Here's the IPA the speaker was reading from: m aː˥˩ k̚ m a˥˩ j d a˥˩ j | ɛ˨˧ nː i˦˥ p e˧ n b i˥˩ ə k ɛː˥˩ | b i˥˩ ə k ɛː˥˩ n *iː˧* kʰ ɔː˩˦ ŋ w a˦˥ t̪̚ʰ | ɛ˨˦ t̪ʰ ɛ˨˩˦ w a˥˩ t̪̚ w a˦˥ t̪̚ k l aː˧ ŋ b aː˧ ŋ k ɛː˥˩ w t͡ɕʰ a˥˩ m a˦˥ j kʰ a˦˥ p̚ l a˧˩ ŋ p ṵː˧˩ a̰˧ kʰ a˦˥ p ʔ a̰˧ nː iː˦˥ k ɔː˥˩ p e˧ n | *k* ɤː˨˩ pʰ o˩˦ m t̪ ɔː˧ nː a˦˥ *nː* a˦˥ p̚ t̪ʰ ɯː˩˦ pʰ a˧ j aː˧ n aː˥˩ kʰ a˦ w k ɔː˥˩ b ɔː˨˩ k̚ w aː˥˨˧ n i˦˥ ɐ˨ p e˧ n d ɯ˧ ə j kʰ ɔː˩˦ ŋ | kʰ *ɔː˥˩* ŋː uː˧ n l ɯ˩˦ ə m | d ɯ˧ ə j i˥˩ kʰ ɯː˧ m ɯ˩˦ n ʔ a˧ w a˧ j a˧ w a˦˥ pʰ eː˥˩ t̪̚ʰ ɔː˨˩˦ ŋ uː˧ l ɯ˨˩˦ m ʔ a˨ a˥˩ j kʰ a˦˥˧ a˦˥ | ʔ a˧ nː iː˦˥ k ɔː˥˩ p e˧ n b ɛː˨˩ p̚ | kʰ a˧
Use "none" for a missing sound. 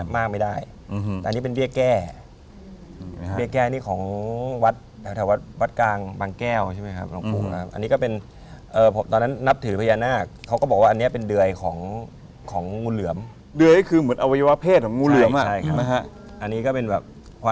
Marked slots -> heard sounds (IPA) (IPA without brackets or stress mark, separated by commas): iː˥˩, ʔ, nː, ɔː˩˦